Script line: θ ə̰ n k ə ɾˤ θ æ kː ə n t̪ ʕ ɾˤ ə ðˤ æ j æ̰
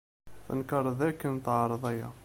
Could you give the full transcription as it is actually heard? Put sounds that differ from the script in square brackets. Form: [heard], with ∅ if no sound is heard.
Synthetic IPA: θ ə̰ n k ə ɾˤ [ð] æ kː ə n t̪ ʕ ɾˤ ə ðˤ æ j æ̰